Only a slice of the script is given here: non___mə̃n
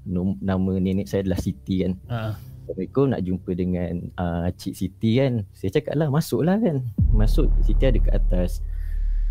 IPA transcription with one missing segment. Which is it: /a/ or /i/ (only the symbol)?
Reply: a